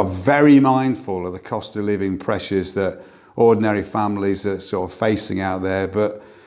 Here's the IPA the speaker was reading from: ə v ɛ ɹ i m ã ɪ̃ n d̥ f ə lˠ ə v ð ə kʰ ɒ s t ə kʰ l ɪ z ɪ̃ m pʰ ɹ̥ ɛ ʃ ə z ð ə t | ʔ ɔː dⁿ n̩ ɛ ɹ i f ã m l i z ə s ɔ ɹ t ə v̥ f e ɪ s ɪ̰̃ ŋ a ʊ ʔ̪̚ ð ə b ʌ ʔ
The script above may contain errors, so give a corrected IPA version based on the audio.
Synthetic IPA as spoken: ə v ɛ ɹ i m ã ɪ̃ n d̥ f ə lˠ ə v ð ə kʰ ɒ s t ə l ɪ v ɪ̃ ŋ pʰ ɹ̥ ɛ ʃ ə z ð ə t | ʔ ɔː dⁿ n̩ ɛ ɹ i f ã m l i z ə s ɔ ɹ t ə v̥ f e ɪ s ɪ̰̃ ŋ a ʊ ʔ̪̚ ð ə b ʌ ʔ